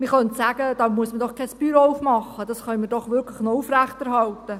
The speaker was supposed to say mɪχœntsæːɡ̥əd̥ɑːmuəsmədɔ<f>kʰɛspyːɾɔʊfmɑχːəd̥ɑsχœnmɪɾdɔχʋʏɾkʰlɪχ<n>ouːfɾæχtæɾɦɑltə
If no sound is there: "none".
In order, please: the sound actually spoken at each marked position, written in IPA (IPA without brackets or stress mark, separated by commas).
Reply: χ, n